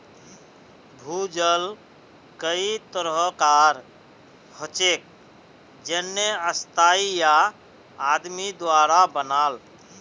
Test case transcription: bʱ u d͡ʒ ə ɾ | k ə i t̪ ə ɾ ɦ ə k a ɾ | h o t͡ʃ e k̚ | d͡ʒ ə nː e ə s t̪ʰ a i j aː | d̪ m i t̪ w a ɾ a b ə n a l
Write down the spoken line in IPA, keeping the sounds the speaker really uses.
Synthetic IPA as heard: bʱ u d͡ʒ ə l | k ə i t̪ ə ɾ ɦ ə k a ɾ | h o t͡ʃ e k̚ | d͡ʒ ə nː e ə s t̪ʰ a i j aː | d̪ m i d̪ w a ɾ a b ə n a l